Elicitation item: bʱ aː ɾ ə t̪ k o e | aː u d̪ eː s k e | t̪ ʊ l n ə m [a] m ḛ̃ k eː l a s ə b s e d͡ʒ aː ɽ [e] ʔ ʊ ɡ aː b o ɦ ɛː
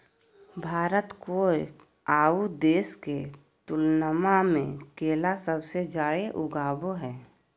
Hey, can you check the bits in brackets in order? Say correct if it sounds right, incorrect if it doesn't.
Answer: correct, correct

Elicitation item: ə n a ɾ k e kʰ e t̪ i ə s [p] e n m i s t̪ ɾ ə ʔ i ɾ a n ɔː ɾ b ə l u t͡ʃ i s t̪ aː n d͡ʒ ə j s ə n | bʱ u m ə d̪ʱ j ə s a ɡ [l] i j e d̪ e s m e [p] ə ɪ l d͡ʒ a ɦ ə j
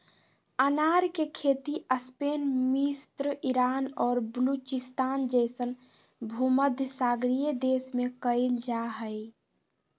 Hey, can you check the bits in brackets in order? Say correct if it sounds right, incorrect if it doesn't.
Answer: correct, incorrect: ɾ, incorrect: k

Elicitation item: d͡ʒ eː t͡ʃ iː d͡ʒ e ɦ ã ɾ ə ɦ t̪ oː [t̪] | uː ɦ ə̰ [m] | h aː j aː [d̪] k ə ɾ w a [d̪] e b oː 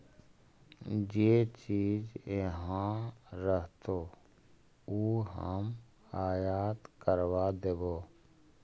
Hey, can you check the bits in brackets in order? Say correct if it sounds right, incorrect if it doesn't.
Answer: incorrect: none, correct, incorrect: t̪, correct

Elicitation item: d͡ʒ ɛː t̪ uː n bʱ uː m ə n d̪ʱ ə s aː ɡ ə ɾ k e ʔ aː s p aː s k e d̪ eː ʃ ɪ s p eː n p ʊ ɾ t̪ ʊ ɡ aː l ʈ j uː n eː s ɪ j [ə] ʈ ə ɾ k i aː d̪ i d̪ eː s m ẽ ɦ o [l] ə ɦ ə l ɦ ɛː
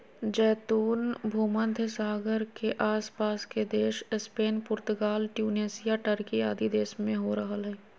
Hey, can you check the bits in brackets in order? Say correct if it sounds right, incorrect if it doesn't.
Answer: incorrect: a, incorrect: ɾ

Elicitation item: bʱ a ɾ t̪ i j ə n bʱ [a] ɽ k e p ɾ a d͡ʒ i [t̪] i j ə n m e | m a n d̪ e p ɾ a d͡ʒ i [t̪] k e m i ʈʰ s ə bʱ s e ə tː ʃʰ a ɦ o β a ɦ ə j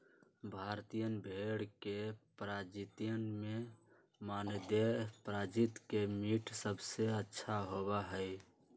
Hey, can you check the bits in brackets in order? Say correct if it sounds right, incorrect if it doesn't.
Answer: incorrect: e, correct, correct

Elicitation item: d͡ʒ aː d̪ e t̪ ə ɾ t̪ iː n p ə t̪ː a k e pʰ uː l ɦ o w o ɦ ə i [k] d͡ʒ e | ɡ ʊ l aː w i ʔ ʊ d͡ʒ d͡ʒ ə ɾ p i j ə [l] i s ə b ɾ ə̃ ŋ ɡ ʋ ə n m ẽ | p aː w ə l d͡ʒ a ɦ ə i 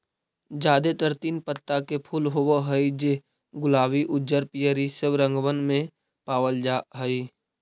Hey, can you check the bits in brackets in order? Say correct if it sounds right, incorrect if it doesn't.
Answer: incorrect: none, incorrect: ɾ

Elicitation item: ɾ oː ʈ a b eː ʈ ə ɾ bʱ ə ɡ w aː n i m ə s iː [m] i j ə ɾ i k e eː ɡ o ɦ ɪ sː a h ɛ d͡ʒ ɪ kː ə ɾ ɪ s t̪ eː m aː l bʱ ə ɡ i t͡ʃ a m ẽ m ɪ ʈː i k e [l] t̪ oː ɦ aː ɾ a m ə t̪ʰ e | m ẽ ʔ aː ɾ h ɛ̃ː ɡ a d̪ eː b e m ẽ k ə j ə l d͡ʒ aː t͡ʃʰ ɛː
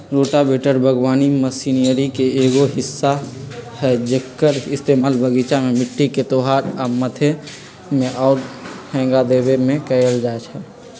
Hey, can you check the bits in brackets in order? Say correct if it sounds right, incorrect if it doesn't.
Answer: incorrect: n, incorrect: none

